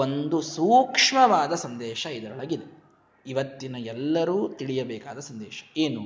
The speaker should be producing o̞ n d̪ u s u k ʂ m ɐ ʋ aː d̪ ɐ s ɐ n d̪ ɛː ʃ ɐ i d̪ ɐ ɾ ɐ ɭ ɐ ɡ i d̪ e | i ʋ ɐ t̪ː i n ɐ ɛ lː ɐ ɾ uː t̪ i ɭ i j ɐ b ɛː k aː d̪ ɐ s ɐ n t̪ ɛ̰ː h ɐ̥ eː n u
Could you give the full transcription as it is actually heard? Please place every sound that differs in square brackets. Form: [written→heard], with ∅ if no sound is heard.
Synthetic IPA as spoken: o̞ n d̪ u s [u→uː] k ʂ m ɐ ʋ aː d̪ ɐ s ɐ n d̪ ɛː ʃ ɐ i d̪ ɐ ɾ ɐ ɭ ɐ ɡ i d̪ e | i ʋ ɐ t̪ː i n ɐ ɛ lː ɐ ɾ uː t̪ i ɭ i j ɐ b ɛː k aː d̪ ɐ s ɐ n [t̪→d̪] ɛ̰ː [h→ʃ] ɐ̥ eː n u